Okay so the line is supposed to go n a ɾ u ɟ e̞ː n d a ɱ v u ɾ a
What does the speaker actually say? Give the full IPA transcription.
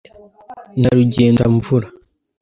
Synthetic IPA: n a ɾ u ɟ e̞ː n d a ɱ v u ɾ a